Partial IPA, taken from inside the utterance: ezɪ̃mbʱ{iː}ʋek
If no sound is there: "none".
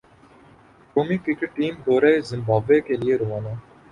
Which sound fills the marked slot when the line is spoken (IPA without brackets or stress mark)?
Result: aː